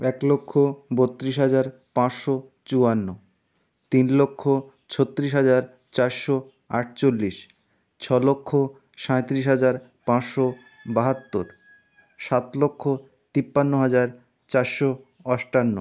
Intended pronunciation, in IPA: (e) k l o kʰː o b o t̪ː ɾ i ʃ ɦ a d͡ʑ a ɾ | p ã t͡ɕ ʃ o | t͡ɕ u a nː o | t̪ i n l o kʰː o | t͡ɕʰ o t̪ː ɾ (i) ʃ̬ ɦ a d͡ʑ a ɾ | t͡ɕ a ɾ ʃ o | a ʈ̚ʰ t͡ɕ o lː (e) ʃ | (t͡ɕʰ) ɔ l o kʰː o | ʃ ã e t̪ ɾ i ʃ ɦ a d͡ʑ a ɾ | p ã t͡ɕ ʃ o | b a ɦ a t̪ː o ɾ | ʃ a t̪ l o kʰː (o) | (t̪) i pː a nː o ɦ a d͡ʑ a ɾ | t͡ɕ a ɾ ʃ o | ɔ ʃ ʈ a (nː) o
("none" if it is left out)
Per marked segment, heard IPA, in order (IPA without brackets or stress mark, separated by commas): ɛ, i, i, t͡ɕʰ, o, t̪, nː